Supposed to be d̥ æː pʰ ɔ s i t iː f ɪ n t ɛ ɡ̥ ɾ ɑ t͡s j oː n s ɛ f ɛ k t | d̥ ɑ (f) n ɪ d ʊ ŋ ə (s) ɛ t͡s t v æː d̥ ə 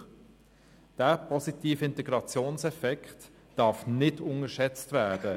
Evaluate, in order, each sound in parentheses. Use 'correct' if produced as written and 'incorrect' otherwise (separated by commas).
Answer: correct, incorrect